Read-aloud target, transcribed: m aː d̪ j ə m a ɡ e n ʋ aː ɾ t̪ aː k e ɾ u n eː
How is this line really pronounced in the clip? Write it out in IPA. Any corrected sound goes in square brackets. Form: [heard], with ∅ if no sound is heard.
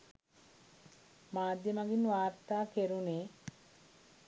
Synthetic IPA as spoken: m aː d̪ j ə m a ɡ [i] n ʋ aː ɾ t̪ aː k e ɾ u n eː